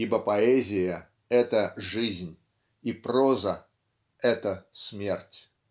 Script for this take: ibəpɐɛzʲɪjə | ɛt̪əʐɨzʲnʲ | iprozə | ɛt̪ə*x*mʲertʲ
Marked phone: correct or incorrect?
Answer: incorrect